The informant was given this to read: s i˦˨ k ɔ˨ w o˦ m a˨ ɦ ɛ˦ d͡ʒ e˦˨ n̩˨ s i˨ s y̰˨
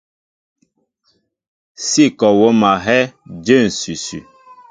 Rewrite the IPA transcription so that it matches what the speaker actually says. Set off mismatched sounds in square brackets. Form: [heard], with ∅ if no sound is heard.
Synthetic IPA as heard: s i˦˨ k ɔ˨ w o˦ m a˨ ɦ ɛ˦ d͡ʒ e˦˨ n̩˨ s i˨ s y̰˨